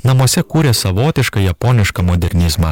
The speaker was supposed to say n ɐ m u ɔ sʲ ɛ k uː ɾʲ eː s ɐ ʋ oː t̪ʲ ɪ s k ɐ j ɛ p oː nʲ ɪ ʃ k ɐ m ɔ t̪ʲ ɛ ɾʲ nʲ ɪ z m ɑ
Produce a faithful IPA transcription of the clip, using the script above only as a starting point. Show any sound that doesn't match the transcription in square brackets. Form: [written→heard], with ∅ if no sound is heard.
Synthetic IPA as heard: n ɐ m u ɔ sʲ ɛ k uː ɾʲ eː s ɐ ʋ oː t̪ʲ ɪ [s→ʃ] k ɐ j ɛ p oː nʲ ɪ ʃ k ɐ m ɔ [t̪ʲ→d̪ʲ] ɛ ɾʲ nʲ ɪ z m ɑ